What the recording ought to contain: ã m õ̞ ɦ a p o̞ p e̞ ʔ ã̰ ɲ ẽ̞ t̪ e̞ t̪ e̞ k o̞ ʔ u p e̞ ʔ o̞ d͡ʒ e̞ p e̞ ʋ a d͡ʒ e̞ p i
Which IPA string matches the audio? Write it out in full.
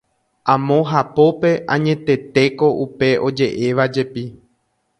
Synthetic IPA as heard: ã m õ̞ ɦ a p o̞ p e̞ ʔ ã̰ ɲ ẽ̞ t̪ e̞ t̪ e̞ k o̞ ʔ u p e̞ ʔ o̞ d͡ʒ e̞ ʔ e̞ ʋ a d͡ʒ e̞ p i